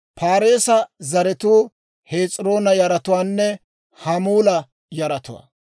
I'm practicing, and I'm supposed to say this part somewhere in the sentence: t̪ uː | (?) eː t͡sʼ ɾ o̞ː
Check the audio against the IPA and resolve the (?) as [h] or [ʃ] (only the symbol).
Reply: h